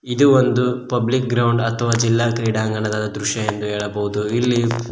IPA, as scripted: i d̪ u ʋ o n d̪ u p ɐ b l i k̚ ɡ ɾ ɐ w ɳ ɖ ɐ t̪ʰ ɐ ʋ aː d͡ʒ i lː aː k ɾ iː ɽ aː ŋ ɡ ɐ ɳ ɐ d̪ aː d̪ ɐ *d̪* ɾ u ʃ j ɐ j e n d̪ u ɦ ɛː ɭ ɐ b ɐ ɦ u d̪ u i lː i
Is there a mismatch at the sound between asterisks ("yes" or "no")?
no